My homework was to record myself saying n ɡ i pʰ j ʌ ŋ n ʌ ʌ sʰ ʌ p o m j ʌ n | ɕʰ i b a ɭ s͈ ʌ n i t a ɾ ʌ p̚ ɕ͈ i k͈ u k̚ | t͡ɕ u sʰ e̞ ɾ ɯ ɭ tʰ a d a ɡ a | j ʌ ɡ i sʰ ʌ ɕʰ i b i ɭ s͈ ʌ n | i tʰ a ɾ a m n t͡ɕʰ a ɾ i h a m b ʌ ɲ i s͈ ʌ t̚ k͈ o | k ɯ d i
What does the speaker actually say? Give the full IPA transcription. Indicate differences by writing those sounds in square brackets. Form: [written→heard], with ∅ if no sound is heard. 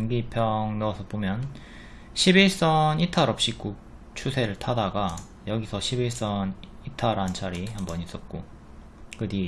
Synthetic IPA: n ɡ i pʰ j ʌ ŋ n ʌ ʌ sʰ ʌ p o m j ʌ n | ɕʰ i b [a→i] ɭ s͈ ʌ n i [t→tʰ] a ɾ ʌ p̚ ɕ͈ i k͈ u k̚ | [t͡ɕ→t͡ɕʰ] u sʰ e̞ ɾ ɯ ɭ tʰ a d a ɡ a | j ʌ ɡ i sʰ ʌ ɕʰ i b i ɭ s͈ ʌ n | i tʰ a ɾ a [m→∅] n t͡ɕʰ a ɾ i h a m b ʌ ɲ i s͈ ʌ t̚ k͈ o | k ɯ d i